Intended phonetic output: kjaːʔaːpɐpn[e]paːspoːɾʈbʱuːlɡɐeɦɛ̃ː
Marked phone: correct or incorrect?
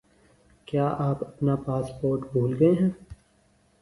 incorrect